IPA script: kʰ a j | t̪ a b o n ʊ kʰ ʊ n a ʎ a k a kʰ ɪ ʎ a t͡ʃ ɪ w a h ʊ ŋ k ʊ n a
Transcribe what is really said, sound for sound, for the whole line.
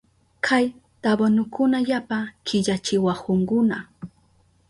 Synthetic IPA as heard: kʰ a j | t̪ a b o n ʊ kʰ ʊ n a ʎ a p a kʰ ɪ ʎ a t͡ʃ ɪ w a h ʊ ŋ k ʊ n a